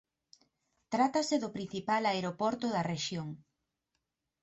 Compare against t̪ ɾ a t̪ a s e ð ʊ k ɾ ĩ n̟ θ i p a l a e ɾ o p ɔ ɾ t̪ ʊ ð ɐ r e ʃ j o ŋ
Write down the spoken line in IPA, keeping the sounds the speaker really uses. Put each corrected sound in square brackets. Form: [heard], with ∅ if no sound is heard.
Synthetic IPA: t̪ ɾ a t̪ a s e ð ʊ [p] ɾ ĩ n̟ θ i p a l a e ɾ o p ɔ ɾ t̪ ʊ ð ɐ r e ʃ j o ŋ